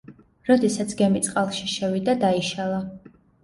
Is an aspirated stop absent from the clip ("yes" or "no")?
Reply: yes